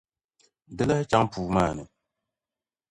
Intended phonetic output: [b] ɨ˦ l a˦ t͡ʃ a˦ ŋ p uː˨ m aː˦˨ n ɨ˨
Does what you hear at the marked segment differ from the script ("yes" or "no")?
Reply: yes